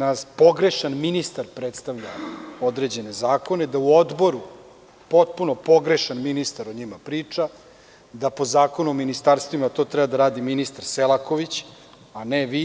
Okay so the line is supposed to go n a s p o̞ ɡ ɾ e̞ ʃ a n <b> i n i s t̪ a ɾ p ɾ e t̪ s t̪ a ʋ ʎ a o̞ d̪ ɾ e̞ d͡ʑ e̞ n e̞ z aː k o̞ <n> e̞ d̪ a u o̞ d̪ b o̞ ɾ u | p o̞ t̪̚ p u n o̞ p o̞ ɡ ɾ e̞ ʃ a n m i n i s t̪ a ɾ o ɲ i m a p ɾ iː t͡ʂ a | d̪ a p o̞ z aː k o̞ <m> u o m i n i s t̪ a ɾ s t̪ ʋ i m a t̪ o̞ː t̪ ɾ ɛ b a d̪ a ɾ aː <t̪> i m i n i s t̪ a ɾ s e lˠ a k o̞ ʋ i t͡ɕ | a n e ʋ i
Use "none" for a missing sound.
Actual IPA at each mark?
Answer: m, n, n, d̪

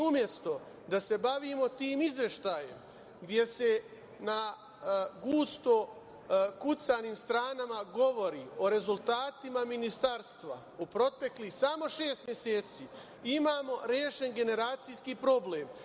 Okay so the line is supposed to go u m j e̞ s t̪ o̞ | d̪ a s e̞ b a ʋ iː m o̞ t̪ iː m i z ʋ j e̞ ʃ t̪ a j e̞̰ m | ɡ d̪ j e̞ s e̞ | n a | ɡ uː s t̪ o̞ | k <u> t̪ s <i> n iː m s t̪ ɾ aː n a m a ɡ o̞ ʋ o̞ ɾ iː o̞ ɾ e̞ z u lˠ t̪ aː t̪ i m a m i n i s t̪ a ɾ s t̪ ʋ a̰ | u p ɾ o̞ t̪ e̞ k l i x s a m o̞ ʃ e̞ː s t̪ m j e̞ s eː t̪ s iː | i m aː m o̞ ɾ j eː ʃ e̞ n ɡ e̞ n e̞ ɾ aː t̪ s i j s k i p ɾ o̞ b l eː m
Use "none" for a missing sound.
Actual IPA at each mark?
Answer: u, a

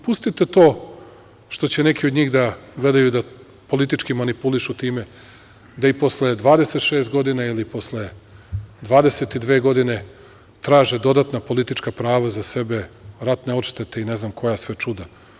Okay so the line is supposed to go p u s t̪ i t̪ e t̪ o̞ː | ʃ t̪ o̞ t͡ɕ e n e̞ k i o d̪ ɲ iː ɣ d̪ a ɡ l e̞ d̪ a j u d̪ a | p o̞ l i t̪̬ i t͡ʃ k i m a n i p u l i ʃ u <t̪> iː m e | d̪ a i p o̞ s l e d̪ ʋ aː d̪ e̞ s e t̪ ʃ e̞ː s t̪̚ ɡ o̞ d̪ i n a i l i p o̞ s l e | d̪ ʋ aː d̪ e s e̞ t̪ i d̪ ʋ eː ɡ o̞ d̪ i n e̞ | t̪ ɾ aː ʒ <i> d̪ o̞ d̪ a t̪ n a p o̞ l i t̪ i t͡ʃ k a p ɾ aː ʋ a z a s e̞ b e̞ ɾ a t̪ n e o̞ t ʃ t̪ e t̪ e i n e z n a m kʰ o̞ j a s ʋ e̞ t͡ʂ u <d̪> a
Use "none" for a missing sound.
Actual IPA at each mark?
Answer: t̪, e, d̪

